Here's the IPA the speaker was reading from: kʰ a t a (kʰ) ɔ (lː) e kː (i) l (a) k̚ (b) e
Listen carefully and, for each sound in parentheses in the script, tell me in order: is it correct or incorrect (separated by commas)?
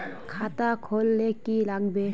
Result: correct, correct, correct, correct, correct